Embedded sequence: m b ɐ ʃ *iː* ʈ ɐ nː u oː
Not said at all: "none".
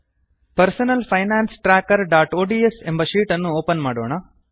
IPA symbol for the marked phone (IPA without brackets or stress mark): iː